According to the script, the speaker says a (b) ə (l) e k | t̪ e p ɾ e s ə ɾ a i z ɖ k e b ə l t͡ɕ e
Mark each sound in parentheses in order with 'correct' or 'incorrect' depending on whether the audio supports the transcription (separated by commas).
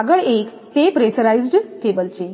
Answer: incorrect, incorrect